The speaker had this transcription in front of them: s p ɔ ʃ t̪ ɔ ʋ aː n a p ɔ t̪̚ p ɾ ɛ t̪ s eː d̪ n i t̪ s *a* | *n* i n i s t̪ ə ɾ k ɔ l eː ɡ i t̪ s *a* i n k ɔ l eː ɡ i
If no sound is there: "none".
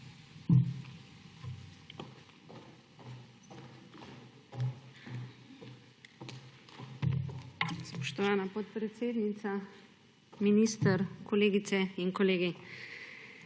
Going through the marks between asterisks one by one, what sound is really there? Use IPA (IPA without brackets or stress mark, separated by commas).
a, m, ɛ